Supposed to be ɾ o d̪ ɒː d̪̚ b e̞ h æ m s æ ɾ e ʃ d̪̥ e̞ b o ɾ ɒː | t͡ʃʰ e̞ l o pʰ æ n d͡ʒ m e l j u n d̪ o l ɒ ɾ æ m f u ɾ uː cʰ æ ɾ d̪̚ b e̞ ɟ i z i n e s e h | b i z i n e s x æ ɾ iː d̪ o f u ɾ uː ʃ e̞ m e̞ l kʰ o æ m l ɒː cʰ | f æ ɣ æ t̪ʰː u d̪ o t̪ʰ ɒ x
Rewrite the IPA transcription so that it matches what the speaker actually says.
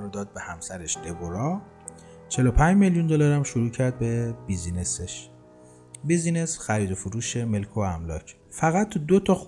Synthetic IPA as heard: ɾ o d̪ ɒː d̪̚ b e̞ h æ m s æ ɾ e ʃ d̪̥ e̞ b o ɾ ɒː | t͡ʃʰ e̞ l o pʰ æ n d͡ʒ m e l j u n d̪ o l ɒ ɾ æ m ʃ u ɾ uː cʰ æ ɾ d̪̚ b e̞ b i z i n e s e ʃ | b i z i n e s x æ ɾ iː d̪ o f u ɾ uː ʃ e̞ m e̞ l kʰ o æ m l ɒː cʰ | f æ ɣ æ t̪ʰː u d̪ o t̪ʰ ɒ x